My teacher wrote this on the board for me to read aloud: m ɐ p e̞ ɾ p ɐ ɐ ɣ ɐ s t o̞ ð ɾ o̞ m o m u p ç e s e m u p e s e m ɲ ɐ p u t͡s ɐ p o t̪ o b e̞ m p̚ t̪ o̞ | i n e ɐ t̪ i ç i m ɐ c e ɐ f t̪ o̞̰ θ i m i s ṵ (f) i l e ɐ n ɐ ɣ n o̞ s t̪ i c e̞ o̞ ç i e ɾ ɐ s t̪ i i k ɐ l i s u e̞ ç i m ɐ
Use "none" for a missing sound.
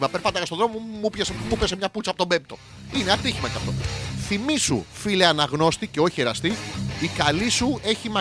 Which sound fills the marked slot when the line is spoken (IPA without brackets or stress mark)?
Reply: f